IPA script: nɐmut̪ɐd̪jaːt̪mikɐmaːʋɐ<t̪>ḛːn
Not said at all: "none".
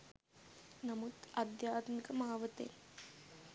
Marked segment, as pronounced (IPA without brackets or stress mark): t̪